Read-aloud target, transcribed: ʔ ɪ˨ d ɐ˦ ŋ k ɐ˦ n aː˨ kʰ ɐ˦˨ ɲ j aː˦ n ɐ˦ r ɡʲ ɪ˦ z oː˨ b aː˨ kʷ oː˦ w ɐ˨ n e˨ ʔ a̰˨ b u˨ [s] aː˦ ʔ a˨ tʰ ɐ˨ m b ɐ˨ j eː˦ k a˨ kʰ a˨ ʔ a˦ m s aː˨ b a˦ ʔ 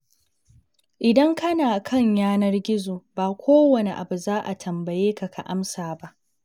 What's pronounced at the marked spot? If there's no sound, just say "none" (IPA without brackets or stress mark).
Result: z